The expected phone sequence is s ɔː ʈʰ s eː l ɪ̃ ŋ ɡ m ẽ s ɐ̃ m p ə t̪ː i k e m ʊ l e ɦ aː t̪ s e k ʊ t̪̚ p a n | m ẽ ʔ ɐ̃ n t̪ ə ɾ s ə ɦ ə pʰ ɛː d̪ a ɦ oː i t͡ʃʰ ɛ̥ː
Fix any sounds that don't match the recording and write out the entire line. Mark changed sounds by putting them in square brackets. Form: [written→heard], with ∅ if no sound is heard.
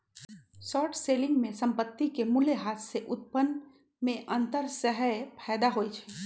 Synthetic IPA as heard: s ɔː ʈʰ s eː l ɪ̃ ŋ ɡ m ẽ s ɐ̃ m p ə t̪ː i k e m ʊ l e ɦ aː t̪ s e [k→ʔ] ʊ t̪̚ p [a→ə] n | m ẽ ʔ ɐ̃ n t̪ ə ɾ s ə ɦ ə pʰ ɛː d̪ a ɦ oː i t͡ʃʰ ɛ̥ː